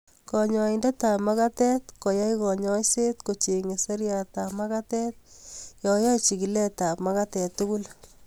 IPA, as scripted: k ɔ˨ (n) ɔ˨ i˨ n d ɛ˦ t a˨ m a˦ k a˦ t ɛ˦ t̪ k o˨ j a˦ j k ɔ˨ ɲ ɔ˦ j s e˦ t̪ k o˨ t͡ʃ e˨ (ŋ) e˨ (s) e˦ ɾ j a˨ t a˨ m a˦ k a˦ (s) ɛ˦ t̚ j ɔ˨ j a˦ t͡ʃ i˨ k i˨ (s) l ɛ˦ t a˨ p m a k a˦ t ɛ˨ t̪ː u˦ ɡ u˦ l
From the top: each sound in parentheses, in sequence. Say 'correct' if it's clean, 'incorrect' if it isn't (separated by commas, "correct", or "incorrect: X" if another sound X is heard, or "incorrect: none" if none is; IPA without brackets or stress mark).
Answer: incorrect: ɲ, correct, correct, incorrect: t, incorrect: none